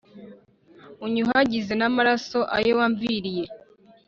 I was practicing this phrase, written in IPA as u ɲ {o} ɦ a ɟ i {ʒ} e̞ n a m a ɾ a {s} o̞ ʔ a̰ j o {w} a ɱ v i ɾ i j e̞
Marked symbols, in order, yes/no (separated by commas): no, no, yes, yes